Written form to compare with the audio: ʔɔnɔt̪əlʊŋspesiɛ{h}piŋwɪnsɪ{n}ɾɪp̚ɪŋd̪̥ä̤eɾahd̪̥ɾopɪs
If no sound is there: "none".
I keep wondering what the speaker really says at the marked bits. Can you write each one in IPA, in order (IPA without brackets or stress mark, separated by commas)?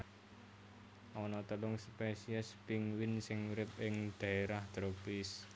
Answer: s, ŋ